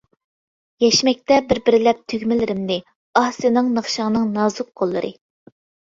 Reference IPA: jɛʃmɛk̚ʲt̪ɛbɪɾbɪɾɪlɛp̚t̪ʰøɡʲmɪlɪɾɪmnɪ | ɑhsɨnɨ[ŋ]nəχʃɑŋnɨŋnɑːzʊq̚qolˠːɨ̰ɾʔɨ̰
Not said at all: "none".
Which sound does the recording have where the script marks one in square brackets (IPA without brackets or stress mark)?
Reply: ŋ